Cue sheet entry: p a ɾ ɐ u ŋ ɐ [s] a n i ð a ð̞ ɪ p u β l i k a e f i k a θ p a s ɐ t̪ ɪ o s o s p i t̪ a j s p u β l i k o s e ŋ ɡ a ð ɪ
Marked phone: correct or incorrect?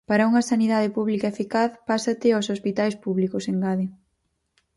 correct